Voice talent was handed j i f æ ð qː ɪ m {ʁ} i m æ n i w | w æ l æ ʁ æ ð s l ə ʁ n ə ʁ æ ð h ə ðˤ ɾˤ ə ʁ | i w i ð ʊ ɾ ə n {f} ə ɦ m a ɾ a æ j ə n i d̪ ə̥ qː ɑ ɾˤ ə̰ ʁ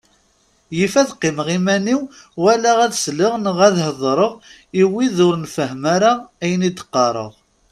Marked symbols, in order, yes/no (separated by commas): yes, yes